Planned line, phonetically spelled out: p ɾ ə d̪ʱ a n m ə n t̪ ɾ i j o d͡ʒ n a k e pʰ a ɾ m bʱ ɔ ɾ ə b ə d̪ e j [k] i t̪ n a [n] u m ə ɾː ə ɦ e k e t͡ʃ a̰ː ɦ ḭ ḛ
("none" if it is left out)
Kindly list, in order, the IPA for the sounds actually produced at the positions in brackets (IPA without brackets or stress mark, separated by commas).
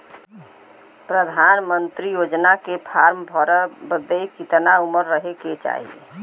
k, none